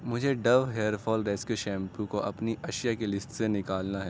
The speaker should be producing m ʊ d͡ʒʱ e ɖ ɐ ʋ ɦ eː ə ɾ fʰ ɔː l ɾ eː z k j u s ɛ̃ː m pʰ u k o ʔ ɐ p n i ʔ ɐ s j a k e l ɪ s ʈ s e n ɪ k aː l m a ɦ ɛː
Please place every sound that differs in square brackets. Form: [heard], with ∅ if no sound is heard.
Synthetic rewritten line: m ʊ d͡ʒʱ e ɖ ɐ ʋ ɦ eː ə ɾ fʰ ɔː l ɾ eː [s] k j u [ʃ] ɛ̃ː m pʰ u k o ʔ ɐ p n i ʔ ɐ [ʃ] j a k e l ɪ s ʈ s e n ɪ k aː l [n] a ɦ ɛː